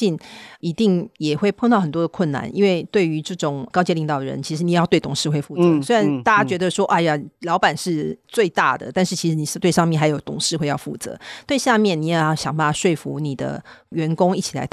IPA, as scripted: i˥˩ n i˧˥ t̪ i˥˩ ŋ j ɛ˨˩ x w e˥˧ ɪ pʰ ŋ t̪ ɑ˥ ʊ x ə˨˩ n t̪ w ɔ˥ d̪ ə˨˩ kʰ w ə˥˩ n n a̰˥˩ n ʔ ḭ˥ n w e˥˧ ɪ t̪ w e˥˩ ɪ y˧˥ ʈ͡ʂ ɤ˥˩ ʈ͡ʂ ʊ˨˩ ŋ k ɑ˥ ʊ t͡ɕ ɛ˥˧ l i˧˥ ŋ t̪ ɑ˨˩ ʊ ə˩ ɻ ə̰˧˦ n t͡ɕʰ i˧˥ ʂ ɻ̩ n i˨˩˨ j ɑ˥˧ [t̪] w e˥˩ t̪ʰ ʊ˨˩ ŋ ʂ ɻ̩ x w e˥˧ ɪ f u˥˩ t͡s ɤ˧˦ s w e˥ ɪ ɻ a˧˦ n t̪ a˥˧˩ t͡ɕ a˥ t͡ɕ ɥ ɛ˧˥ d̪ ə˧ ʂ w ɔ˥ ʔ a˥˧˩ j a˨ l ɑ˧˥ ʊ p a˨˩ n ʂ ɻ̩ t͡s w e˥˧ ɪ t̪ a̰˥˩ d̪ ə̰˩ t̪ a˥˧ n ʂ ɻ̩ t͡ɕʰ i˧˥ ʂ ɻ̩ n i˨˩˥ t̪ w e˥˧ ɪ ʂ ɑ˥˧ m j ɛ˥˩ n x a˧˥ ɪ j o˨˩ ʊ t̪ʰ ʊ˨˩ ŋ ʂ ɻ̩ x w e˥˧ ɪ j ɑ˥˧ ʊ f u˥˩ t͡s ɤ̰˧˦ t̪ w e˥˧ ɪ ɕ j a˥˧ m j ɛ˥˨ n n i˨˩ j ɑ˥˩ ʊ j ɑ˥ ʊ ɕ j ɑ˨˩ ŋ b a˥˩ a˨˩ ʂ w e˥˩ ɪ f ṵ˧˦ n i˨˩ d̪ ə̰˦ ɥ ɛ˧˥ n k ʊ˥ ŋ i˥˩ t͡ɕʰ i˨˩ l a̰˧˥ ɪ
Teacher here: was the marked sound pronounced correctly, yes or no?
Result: yes